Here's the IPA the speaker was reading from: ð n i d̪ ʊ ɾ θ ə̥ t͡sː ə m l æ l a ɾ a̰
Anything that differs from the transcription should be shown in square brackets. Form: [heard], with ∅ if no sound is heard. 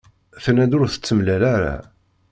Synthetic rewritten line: [θ] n [æ] d̪ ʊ ɾ θ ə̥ t͡sː ə m l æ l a ɾ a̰